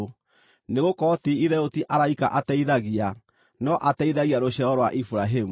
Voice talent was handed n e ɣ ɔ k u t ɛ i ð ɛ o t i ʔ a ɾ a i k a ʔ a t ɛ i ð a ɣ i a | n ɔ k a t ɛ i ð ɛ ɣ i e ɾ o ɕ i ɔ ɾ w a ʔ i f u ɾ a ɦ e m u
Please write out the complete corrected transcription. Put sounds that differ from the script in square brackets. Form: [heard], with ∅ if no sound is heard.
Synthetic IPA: n e ɣ [o] k [ɔ] t [i] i ð ɛ o t i ʔ a ɾ a i k a ʔ a t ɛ i ð a ɣ i a | n ɔ [ʔ] a t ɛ i ð [a] ɣ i [a] ɾ o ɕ [ɛ] ɔ ɾ w a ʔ i f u ɾ a ɦ e m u